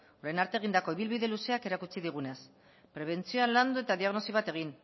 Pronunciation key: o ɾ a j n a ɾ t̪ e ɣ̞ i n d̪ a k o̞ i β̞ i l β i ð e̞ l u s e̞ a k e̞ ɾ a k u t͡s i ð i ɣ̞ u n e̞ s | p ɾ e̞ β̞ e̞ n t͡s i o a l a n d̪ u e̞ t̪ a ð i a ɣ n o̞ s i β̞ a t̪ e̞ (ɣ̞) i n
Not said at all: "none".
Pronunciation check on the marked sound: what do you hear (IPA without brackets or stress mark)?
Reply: ɣ̞